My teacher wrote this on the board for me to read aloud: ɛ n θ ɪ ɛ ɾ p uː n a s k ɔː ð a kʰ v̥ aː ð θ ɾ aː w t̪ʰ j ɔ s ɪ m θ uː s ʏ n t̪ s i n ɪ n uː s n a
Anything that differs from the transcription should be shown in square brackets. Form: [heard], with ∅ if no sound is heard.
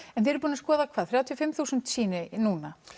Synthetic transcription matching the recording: ɛ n θ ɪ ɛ ɾ p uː n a s k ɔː ð a kʰ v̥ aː ð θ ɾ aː w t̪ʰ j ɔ [f] ɪ m θ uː s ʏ n t̪ s [iː] n ɪ n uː [∅] n a